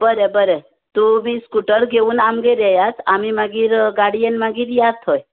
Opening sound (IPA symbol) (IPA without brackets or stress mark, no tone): b